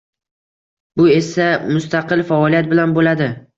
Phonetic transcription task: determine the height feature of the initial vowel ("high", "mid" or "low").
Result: high